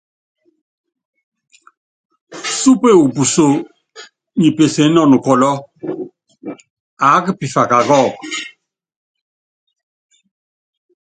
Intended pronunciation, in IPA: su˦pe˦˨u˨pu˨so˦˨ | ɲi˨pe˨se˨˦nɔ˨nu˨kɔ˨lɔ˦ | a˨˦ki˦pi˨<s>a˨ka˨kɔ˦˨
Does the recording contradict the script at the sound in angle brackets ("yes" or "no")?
yes